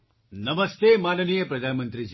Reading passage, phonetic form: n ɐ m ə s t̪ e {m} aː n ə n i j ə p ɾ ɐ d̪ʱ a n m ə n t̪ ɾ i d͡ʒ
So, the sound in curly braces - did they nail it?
yes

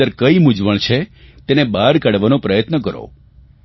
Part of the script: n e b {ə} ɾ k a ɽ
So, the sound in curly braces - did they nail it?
no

